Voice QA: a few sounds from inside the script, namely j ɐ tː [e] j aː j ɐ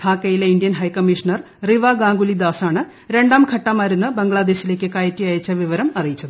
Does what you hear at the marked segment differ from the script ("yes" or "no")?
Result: yes